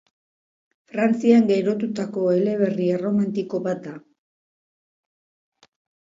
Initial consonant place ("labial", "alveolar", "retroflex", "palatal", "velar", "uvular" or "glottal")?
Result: labial